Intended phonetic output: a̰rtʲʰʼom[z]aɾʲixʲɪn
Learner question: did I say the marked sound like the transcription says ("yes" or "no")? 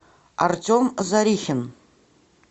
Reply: yes